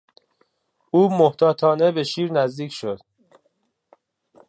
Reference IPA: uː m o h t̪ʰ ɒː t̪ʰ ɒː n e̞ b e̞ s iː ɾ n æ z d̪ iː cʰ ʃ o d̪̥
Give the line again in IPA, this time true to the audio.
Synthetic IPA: uː m o h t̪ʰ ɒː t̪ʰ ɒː n e̞ b e̞ ʃ iː ɾ n æ z d̪ iː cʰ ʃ o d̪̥